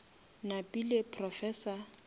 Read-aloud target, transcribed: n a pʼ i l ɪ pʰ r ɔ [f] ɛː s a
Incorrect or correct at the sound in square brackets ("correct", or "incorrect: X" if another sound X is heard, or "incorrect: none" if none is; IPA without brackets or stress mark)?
correct